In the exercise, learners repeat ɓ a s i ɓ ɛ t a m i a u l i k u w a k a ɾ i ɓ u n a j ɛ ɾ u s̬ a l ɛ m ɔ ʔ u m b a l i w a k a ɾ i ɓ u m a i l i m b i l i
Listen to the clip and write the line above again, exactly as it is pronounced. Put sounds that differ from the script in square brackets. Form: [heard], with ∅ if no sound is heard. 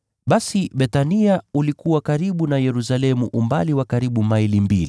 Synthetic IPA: ɓ a s i ɓ ɛ t a [n] i a u l i k u w a k a ɾ i ɓ u n a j ɛ ɾ u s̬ a l ɛ m [u] ʔ u m b a l i w a k a ɾ i ɓ u m a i l i m b i l i